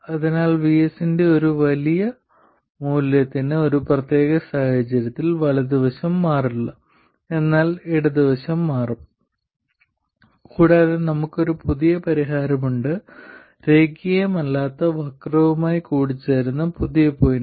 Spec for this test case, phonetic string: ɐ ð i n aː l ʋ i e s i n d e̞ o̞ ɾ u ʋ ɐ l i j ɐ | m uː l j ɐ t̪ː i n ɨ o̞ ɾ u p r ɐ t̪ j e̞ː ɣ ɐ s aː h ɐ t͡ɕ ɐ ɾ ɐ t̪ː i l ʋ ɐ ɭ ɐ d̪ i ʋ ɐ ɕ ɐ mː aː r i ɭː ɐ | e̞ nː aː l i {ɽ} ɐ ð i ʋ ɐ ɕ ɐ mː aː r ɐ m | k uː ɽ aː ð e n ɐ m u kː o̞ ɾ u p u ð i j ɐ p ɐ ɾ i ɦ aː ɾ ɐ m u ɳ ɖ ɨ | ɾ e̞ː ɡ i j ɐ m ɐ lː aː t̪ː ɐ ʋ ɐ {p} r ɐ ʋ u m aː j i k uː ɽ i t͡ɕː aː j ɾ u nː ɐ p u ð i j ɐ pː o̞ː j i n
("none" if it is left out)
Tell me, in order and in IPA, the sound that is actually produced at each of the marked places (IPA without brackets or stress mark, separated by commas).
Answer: ɽ, k